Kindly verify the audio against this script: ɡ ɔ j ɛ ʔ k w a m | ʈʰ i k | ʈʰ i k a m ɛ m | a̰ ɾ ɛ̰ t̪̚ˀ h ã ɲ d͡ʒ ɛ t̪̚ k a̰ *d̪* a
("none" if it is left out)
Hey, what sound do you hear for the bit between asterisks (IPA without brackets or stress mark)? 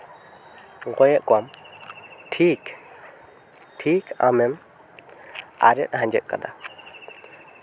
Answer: d̪